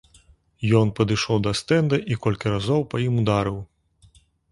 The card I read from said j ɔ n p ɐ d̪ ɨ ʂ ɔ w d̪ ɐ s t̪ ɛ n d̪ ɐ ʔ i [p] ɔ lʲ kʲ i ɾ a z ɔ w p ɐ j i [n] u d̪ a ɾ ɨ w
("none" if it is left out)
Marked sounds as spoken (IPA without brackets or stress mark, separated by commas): k, m